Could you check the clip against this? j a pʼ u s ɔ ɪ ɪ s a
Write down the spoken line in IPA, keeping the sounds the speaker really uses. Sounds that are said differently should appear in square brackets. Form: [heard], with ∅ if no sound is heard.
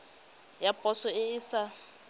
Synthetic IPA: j a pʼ [ɔ] s ɔ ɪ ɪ s a